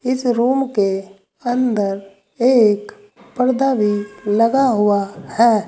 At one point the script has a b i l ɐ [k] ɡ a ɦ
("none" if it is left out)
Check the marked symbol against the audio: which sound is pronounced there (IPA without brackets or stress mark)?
none